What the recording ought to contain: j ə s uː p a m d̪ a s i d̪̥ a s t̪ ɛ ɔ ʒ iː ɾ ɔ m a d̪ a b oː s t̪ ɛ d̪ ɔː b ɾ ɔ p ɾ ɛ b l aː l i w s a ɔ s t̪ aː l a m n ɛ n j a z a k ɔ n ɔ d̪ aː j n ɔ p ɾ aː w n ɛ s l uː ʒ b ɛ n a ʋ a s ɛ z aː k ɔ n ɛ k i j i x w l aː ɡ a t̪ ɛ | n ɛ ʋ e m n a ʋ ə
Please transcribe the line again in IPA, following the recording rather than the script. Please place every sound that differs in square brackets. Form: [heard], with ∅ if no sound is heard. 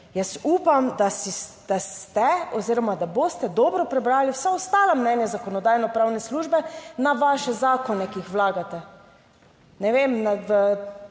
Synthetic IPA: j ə s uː p a m d̪ a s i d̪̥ a s t̪ ɛ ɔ [z] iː ɾ ɔ m a d̪ a b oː s t̪ ɛ d̪ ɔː b ɾ ɔ p ɾ ɛ b [ɾ] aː l i w s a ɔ s t̪ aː l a m n ɛ n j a z a k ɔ n ɔ d̪ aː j n ɔ p ɾ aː w n ɛ s l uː ʒ b ɛ n a ʋ a [ʃ] ɛ z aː k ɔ n ɛ k i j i x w l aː ɡ a t̪ ɛ | n ɛ ʋ e m n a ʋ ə